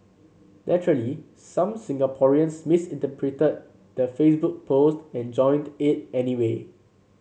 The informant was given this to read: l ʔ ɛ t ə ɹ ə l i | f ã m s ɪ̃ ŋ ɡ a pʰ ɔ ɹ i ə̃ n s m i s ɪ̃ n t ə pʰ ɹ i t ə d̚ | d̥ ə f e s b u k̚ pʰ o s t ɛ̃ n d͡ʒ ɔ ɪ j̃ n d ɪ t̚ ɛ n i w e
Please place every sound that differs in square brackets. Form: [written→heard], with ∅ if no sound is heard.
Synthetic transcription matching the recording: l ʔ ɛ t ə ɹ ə l i | [f→s] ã m s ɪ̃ ŋ ɡ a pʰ ɔ ɹ i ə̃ n s m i s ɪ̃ n t ə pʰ ɹ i t ə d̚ | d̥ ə f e s b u k̚ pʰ o s t ɛ̃ n d͡ʒ [ɔ→ɔ̃] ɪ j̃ n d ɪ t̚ ɛ n i w e

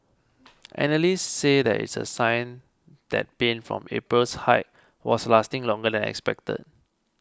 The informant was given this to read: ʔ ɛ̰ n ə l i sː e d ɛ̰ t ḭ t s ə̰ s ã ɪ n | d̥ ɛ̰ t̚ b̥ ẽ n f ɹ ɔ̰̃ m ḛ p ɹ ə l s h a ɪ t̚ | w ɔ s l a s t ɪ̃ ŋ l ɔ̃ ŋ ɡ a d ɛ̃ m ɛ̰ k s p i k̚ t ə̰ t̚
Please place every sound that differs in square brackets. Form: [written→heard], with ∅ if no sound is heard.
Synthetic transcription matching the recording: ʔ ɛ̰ n ə l i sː e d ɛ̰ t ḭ t s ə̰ s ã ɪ n | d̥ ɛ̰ t̚ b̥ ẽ n f ɹ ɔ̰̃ m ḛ p ɹ ə l s h a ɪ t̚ | w ɔ s l a s t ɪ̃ ŋ l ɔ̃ ŋ ɡ [a→ə] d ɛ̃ [m→n] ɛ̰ k s p [i→ɛ] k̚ t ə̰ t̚

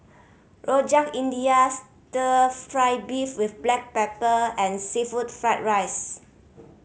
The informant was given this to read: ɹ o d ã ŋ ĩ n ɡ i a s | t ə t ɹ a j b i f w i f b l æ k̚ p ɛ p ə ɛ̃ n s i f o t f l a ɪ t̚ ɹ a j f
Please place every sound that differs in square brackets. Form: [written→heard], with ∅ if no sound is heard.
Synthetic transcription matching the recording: ɹ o [d→d͡ʒ] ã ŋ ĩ n [ɡ→d] i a s | t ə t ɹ a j b i f w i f b l [æ→ɛ] k̚ p ɛ p ə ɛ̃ n s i f [o→u] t f [l→ɹ] a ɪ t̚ ɹ a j [f→s]

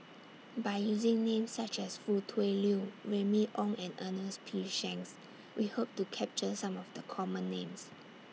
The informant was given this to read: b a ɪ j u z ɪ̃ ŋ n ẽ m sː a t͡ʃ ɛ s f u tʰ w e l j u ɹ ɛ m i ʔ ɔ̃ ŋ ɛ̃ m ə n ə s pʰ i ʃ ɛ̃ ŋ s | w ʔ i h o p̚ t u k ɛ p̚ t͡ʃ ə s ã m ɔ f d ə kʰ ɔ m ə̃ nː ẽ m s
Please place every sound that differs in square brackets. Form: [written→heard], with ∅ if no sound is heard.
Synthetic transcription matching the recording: b a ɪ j u z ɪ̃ ŋ n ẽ m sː a t͡ʃ ɛ s f u tʰ w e l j u ɹ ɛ m i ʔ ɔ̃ ŋ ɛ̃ [m→n] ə n ə s pʰ i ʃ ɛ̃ ŋ s | w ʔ i h o p̚ t u [k→kʰ] ɛ p̚ t͡ʃ ə s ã m ɔ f d ə kʰ ɔ m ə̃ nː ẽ m s

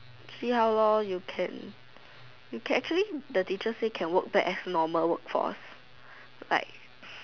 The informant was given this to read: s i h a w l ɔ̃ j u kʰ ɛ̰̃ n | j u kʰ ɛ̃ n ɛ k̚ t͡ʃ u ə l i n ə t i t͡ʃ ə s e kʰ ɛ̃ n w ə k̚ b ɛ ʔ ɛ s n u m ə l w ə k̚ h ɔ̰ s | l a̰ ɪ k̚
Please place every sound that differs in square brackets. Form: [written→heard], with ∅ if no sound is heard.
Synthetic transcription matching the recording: s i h a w l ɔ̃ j u kʰ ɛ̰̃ n | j u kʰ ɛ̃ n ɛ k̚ t͡ʃ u ə l i [n→d] ə t i t͡ʃ ə s e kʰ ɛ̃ n w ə k̚ b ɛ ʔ ɛ s n [u→ɔ] m ə l w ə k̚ [h→f] ɔ̰ s | l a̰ ɪ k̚

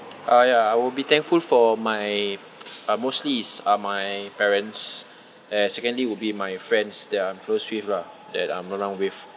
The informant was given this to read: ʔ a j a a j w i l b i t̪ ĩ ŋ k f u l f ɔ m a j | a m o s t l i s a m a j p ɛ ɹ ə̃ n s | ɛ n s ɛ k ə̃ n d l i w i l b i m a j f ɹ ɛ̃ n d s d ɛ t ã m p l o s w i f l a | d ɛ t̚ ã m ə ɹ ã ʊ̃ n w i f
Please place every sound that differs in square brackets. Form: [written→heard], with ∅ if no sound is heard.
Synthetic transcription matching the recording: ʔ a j a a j w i l b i t̪ [ĩ→ɛ̃] ŋ k f u l f ɔ m a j | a m o s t l i s a m a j p ɛ ɹ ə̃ n s | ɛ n s ɛ k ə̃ n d l i w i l b i m a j f ɹ ɛ̃ n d s d ɛ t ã m [p→k] l o s w i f l a | d ɛ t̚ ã m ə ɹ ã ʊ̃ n w i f

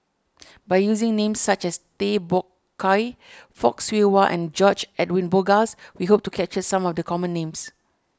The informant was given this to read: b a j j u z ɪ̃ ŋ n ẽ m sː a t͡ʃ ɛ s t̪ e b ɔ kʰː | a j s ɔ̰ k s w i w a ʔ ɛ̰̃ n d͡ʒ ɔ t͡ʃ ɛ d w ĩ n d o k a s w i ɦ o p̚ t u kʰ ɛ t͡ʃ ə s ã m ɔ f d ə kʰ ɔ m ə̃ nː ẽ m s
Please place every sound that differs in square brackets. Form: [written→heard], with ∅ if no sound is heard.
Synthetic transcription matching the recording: b a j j u z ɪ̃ ŋ n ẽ m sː a t͡ʃ ɛ s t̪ e b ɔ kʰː | a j [s→f] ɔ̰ k s w i w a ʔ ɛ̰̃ n d͡ʒ ɔ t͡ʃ ɛ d w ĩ n [d→b] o [k→ɡ] a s w i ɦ o p̚ t u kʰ ɛ t͡ʃ ə s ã m ɔ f d ə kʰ ɔ m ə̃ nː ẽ m s

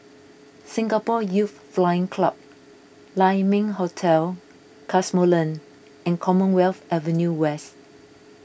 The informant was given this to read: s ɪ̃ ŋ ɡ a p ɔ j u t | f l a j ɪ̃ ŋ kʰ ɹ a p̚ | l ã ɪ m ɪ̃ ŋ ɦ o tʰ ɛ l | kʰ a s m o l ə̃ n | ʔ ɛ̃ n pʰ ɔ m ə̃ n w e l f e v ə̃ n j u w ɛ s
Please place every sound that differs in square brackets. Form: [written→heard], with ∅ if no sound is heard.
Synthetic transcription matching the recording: s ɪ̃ ŋ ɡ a p ɔ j u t | f l a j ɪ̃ ŋ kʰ [ɹ→l] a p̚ | l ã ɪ m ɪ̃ ŋ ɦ o tʰ ɛ l | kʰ a s m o l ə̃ n | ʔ ɛ̃ n [pʰ→kʰ] ɔ m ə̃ n w [e→ɛ] l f [e→ɛ] v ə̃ n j u w ɛ s

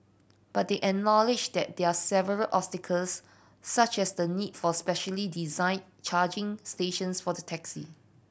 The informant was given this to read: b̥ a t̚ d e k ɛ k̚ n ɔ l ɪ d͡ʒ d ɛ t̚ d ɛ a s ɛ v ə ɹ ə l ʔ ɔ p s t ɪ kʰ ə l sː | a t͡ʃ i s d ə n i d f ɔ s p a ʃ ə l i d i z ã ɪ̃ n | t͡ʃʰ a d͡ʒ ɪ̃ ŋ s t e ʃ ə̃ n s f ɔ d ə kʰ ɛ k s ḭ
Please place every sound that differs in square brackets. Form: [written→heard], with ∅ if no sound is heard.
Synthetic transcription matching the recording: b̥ a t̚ d e [k→ʔ] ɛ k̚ n ɔ l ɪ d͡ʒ d ɛ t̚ d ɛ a s ɛ v ə ɹ ə l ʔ ɔ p s t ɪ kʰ ə l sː | a t͡ʃ [i→ɛ] s d ə n i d f ɔ s p [a→ɛ] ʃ ə l i d i z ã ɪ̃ n | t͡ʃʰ a d͡ʒ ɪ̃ ŋ s t e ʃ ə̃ n s f ɔ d ə [kʰ→tʰ] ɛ k s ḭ

